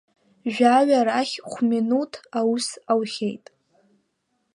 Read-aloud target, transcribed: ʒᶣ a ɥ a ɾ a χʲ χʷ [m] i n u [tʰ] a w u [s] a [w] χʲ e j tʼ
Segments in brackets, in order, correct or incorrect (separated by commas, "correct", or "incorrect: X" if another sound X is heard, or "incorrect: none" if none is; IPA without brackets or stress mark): correct, correct, correct, correct